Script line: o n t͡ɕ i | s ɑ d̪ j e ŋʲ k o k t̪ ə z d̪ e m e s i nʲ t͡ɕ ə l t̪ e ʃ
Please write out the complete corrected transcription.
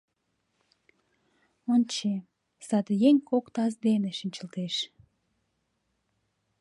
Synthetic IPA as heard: o n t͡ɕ e | s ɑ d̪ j e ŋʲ k o k t̪ ɑ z d̪ e n e ʃ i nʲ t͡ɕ ə l t̪ e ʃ